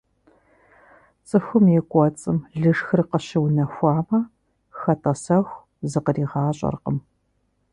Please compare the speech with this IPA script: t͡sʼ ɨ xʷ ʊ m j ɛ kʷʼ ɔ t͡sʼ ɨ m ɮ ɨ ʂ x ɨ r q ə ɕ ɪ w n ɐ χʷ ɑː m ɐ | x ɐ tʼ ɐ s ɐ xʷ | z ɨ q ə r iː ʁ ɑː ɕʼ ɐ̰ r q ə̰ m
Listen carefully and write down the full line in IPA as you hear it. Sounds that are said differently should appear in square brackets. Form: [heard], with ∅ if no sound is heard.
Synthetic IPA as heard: t͡sʼ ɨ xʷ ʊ m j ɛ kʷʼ ɔ t͡sʼ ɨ m ɮ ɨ ʂ x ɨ r q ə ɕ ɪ w n ɐ [xʷ] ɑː m ɐ | x ɐ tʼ ɐ s ɐ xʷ | z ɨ q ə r iː ʁ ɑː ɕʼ ɐ̰ r q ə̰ m